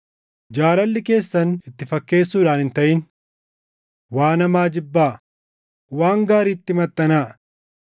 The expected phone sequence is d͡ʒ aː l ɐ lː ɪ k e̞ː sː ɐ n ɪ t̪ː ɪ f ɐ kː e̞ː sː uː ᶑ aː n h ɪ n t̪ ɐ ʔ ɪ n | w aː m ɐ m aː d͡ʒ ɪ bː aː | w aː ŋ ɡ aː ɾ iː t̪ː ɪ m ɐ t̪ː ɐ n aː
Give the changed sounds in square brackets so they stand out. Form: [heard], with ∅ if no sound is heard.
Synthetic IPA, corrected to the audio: d͡ʒ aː l ɐ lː ɪ k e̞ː sː ɐ n ɪ t̪ː ɪ f ɐ kː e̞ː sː uː ᶑ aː n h ɪ n t̪ ɐ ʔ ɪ n | w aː [n] ɐ m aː d͡ʒ ɪ bː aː | w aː ŋ ɡ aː ɾ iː t̪ː ɪ m ɐ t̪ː ɐ n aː